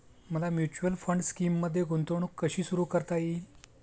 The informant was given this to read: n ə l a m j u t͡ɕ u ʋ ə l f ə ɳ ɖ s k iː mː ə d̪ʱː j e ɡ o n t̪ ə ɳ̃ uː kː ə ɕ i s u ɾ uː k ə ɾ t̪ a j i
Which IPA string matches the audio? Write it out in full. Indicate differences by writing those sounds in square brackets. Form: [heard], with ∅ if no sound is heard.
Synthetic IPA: [m] ə l a m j u t͡ɕ u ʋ ə l f ə ɳ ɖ s k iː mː ə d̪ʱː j e ɡ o n t̪ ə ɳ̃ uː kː ə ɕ [iː] s u ɾ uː k ə ɾ t̪ a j i